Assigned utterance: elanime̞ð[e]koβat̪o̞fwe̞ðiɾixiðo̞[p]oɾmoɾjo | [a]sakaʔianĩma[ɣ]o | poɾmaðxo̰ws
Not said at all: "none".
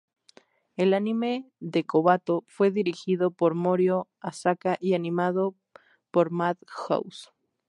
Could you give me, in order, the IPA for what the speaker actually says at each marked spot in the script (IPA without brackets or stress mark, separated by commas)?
e, p, a, ð